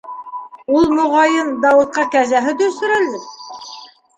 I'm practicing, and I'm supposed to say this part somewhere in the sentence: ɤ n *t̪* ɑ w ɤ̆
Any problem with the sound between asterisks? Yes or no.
yes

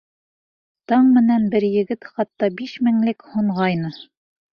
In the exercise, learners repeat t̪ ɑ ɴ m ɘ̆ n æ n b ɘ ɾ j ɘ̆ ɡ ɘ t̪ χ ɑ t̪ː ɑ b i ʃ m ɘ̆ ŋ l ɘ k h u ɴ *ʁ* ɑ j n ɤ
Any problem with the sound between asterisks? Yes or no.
no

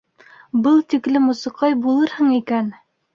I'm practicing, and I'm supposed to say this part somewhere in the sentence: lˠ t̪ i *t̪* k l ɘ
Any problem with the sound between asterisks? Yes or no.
yes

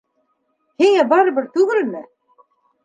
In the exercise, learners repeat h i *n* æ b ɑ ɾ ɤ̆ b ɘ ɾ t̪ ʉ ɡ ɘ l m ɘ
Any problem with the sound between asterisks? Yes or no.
yes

